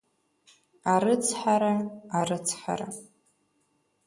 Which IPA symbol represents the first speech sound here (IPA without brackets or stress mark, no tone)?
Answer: a